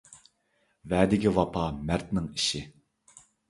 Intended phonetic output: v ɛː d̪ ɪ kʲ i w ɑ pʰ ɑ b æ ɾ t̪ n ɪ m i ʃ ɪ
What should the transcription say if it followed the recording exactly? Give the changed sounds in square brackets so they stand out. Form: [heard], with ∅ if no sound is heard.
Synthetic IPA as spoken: v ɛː d̪ ɪ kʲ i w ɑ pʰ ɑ [m] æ ɾ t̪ n ɪ [ŋ] i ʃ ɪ